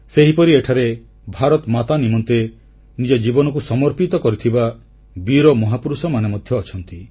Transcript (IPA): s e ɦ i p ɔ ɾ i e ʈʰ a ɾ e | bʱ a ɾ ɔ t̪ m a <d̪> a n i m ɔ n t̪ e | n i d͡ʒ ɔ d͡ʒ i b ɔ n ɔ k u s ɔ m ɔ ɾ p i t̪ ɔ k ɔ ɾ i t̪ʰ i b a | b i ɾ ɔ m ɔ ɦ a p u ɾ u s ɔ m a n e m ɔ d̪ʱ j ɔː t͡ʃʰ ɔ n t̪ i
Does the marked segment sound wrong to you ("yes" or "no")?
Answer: yes